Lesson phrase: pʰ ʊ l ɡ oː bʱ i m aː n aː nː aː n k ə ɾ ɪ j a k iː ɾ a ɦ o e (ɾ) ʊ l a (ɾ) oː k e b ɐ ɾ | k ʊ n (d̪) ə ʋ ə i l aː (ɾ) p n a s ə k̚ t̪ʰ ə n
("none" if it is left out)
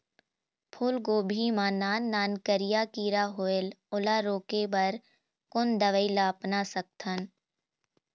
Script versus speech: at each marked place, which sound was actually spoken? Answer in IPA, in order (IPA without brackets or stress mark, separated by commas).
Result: l, ɾ, d̪, none